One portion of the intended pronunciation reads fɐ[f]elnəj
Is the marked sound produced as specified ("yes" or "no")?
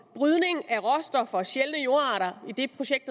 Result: no